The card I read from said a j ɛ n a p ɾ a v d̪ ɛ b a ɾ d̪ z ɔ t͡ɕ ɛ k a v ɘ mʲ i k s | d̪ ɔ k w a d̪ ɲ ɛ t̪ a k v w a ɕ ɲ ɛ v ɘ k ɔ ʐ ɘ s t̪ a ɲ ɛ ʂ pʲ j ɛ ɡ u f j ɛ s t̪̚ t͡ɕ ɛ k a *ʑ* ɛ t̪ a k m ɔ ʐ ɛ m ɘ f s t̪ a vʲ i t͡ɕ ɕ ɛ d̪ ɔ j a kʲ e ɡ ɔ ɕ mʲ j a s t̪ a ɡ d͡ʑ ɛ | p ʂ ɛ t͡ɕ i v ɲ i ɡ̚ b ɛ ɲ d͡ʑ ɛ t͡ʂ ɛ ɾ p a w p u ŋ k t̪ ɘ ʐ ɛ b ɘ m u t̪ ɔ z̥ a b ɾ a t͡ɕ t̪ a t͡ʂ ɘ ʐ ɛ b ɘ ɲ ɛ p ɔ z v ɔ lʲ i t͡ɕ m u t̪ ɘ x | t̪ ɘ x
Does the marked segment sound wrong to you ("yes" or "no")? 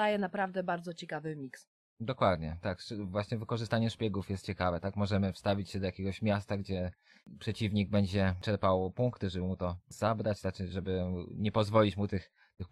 yes